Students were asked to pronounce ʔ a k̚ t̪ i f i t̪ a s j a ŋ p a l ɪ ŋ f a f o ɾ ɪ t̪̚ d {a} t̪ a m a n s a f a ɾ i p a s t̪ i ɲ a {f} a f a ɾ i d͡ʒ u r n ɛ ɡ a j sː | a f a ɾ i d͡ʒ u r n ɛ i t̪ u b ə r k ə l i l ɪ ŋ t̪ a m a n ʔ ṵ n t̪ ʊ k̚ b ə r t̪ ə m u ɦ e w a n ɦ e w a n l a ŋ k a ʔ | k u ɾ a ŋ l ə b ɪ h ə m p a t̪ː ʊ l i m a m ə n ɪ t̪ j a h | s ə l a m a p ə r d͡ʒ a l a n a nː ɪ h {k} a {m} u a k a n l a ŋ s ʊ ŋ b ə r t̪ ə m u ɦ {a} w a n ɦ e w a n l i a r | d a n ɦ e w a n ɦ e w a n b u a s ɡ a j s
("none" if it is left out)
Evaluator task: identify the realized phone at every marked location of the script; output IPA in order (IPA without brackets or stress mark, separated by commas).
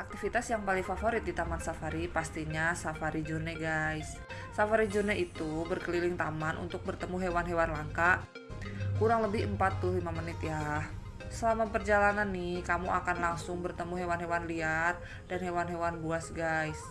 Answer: i, s, k, m, e